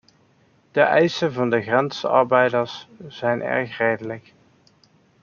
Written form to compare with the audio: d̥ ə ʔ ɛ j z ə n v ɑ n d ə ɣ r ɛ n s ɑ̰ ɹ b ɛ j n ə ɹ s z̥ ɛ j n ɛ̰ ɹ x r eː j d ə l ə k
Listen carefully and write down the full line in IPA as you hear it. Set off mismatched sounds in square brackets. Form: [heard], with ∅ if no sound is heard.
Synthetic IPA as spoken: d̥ ə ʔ ɛ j [s] ə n v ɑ n d ə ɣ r ɛ n s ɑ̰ ɹ b ɛ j [d] ə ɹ s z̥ ɛ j n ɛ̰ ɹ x r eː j d ə l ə k